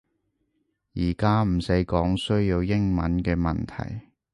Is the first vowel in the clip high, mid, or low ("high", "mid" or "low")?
high